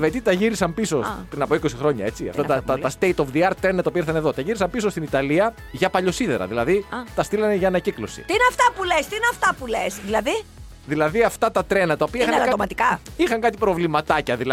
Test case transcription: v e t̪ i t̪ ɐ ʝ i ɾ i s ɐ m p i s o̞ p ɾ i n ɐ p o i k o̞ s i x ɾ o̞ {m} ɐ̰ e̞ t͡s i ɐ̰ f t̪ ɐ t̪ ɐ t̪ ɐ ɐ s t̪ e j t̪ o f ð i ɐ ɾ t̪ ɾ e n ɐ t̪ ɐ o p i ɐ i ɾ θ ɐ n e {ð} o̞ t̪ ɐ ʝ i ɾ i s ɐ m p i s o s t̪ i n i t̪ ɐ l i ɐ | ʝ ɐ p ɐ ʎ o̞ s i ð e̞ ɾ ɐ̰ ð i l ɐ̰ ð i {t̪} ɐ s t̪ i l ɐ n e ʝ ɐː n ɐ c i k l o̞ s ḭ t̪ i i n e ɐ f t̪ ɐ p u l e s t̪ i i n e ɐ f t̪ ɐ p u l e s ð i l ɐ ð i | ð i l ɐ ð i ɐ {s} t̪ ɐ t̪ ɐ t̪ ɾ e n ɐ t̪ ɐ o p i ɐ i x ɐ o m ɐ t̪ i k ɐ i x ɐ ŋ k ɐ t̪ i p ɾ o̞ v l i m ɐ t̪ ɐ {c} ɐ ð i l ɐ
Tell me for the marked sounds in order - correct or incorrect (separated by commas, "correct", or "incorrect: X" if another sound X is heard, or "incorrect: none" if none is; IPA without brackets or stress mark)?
incorrect: ɲ, correct, correct, incorrect: f, correct